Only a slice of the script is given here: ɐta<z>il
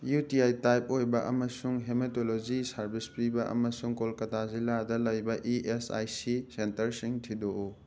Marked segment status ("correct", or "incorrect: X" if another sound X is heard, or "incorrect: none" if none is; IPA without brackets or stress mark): correct